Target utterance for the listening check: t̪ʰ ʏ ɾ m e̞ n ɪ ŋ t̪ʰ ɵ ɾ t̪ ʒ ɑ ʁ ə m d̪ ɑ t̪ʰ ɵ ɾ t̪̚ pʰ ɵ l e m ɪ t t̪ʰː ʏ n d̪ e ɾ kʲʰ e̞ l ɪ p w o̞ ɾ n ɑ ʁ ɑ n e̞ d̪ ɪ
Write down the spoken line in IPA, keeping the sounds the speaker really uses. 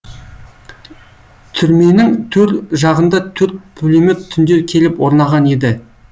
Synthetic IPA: t̪ʰ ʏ ɾ m e̞ n ɪ ŋ t̪ʰ ɵ ɾ t̪ ʒ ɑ ʁ ə n d̪ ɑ t̪ʰ ɵ ɾ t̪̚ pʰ ɵ l e m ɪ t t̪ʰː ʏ n d̪ e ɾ kʲʰ e̞ l ɪ p w o̞ ɾ n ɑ ʁ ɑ n e̞ d̪ ɪ